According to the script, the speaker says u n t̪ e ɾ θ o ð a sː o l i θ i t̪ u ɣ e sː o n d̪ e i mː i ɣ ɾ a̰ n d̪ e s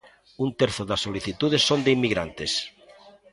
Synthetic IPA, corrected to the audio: u n t̪ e ɾ θ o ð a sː o l i θ i t̪ u ð e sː o n d̪ e i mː i ɣ ɾ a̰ n t̪ e s